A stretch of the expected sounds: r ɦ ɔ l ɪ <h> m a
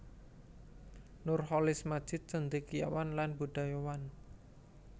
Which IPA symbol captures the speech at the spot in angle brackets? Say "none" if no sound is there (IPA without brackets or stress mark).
s